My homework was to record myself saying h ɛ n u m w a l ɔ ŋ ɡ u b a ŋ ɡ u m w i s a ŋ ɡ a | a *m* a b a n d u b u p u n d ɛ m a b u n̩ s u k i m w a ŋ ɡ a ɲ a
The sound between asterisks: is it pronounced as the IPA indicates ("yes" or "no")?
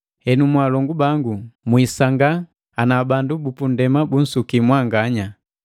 no